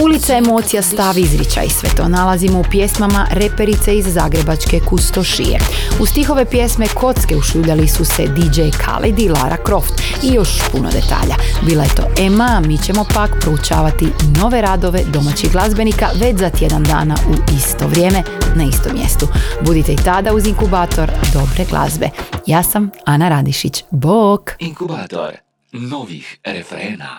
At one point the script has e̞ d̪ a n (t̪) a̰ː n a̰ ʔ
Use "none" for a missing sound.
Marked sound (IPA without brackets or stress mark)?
d̪